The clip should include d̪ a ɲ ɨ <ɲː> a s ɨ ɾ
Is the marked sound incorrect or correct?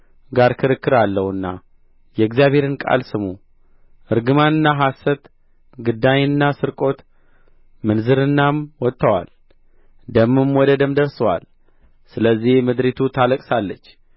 incorrect